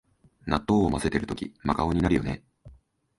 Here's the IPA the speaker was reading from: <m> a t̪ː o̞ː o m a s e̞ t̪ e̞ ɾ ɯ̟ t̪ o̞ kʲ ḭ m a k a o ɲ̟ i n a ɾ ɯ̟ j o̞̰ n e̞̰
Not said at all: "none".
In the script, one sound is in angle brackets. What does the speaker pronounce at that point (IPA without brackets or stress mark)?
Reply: n